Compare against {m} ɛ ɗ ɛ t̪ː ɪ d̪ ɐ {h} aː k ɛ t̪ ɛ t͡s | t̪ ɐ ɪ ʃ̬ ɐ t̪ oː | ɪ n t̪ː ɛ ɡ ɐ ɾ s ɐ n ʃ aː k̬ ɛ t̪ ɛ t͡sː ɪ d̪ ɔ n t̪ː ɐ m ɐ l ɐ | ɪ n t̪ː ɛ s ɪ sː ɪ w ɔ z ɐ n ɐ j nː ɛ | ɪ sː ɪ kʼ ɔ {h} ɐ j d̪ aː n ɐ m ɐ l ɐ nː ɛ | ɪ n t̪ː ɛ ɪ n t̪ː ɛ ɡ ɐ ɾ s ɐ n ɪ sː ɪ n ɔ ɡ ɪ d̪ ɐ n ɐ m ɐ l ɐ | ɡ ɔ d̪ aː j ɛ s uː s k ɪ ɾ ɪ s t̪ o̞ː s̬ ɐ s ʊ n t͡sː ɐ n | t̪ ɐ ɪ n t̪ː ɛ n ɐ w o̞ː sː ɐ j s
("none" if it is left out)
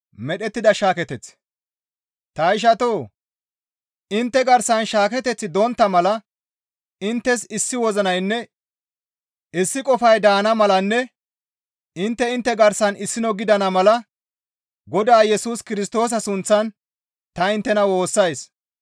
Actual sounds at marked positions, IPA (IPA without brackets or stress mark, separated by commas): m, ʃ, f